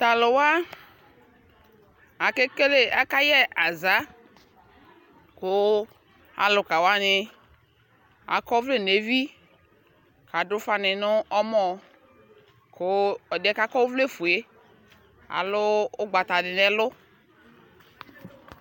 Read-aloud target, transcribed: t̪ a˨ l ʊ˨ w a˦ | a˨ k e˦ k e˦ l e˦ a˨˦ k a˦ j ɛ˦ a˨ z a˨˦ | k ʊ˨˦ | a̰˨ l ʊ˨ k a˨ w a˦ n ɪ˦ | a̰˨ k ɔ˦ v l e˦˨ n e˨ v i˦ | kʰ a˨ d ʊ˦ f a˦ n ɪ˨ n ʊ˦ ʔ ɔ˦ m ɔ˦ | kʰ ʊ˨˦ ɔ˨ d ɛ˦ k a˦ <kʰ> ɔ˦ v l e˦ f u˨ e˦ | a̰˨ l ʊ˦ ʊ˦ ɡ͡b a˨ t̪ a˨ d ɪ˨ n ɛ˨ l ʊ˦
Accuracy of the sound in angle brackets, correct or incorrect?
incorrect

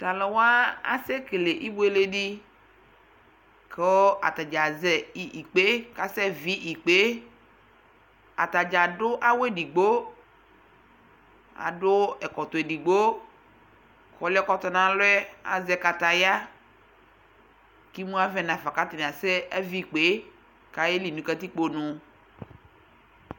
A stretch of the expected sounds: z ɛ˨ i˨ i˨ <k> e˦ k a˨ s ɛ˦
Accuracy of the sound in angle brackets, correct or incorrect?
incorrect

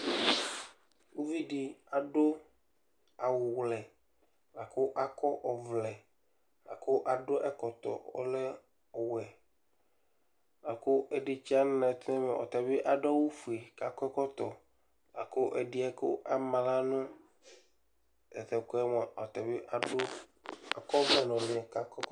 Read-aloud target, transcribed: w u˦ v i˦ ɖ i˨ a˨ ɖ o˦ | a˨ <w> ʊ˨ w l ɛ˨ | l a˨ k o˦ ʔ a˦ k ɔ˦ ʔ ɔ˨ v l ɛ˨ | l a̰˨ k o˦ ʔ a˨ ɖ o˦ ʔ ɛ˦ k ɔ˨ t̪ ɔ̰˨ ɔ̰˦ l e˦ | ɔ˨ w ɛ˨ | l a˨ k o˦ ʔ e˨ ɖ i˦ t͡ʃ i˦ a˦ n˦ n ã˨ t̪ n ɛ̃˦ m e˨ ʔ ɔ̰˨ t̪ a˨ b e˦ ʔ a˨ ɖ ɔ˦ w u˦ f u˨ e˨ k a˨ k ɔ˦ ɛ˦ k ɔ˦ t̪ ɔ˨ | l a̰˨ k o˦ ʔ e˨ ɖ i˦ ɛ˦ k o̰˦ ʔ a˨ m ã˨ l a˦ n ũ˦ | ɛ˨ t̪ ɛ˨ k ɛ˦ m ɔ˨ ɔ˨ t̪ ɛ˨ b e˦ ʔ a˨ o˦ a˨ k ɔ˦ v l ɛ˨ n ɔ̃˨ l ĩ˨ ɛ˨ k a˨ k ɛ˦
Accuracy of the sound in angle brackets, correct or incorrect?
correct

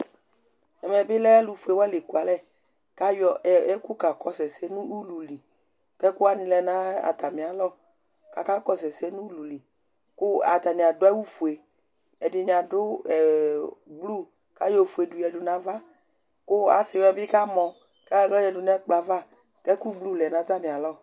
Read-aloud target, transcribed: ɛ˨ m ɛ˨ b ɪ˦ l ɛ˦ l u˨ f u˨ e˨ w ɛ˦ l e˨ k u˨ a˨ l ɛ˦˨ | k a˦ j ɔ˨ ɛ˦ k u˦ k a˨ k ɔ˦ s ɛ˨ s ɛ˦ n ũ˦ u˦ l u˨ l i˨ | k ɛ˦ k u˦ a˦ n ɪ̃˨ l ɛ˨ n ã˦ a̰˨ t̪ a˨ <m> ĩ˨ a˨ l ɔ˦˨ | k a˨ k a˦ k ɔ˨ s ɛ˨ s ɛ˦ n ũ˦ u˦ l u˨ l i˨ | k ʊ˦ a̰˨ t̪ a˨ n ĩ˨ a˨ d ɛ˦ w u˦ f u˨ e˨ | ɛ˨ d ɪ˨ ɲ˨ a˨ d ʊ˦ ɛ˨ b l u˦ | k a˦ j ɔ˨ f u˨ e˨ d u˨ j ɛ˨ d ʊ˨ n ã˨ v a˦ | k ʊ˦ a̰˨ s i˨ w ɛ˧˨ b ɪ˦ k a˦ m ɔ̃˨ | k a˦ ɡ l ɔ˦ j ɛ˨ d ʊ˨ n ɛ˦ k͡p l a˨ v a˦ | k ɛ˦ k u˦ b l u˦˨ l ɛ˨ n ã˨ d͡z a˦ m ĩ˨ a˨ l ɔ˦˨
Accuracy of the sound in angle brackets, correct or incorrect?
correct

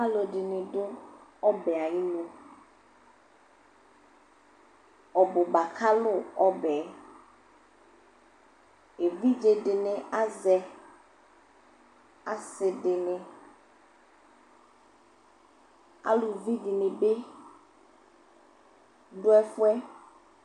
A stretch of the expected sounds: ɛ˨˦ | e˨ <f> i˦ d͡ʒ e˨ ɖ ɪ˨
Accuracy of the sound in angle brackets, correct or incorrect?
incorrect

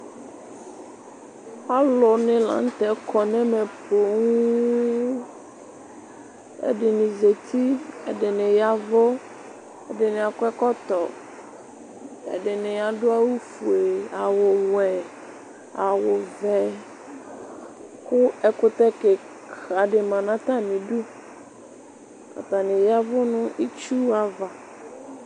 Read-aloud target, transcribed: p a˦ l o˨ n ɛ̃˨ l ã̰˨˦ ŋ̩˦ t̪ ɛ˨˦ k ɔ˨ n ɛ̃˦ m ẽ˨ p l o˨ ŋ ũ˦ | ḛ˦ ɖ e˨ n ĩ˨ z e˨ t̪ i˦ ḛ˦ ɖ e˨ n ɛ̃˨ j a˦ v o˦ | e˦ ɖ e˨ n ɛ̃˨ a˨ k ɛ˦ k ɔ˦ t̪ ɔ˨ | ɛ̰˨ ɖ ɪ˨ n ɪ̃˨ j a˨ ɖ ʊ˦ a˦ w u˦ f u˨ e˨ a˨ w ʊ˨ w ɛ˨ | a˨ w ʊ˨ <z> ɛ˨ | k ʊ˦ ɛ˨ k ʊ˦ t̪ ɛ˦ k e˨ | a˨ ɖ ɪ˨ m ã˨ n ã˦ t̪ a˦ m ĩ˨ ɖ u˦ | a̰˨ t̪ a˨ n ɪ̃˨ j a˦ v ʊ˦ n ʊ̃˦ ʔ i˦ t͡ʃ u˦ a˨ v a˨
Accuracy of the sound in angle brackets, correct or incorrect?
incorrect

